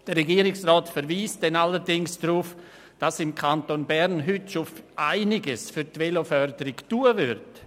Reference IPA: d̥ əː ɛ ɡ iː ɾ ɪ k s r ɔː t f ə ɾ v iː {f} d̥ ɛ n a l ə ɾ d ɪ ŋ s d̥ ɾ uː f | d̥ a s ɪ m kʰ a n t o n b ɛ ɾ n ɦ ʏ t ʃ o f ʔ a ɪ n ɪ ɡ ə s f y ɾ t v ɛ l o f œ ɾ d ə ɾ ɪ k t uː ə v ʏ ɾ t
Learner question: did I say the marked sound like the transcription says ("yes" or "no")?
no